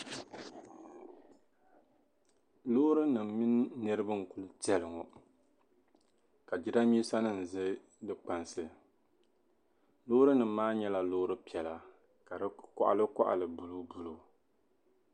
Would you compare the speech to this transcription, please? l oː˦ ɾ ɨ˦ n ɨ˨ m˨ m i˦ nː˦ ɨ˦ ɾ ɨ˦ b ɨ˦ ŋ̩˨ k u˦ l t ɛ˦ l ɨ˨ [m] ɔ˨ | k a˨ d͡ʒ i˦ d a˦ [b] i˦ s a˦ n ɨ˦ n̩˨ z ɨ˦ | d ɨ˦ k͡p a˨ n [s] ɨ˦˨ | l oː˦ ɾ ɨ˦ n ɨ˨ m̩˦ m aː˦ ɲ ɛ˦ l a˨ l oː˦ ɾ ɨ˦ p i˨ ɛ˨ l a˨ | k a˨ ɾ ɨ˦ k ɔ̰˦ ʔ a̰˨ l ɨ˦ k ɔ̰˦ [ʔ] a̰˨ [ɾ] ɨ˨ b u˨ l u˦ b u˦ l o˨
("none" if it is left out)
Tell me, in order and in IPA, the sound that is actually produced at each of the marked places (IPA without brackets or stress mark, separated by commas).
ŋ, m, s, ʔ, l